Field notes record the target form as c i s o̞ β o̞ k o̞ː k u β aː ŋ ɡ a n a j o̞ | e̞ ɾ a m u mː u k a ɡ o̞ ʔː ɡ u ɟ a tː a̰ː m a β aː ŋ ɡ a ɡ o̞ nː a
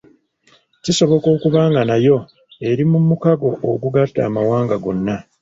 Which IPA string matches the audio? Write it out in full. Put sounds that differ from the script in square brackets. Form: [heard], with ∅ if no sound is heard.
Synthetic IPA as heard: c i s o̞ β o̞ k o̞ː k u β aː ŋ ɡ a n a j o̞ | e̞ ɾ [i] m u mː u k a ɡ o̞ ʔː ɡ u [ɡ] a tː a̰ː m a [w] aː ŋ ɡ a ɡ o̞ nː a